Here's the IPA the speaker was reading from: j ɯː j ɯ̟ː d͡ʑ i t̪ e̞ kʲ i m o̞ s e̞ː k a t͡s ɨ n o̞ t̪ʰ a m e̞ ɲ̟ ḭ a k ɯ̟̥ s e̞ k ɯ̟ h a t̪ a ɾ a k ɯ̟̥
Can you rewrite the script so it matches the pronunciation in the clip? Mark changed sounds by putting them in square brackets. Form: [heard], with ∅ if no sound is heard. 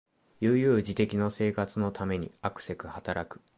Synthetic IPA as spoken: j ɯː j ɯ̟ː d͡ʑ i t̪ e̞ kʲ i [n] o̞ s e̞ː k a t͡s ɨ n o̞ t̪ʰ a m e̞ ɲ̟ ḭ a k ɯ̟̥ s e̞ k ɯ̟ h a t̪ a ɾ a k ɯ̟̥